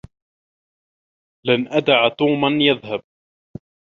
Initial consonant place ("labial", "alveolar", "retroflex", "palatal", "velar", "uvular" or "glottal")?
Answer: alveolar